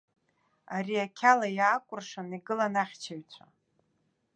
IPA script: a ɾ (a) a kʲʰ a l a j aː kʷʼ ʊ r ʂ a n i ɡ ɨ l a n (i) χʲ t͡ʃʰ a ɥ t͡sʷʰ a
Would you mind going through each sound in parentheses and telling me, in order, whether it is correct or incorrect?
incorrect, incorrect

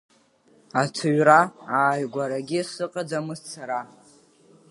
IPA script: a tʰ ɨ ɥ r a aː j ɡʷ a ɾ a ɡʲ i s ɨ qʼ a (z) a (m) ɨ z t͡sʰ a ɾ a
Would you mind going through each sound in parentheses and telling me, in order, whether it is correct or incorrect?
incorrect, correct

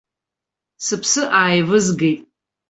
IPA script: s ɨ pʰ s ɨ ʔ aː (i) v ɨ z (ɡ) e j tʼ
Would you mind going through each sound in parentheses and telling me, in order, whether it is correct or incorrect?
incorrect, correct

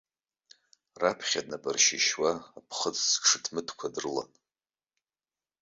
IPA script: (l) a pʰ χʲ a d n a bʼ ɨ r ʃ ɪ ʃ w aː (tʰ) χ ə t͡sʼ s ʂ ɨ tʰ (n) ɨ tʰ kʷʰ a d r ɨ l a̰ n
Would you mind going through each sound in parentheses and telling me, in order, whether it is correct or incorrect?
incorrect, incorrect, incorrect

